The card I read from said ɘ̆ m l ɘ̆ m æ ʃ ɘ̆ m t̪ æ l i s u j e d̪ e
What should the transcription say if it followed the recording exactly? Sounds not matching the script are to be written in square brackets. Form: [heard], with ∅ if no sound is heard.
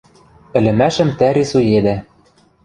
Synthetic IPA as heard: ɘ̆ [∅] l ɘ̆ m æ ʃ ɘ̆ m t̪ æ [ɾ] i s u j e d̪ [æ]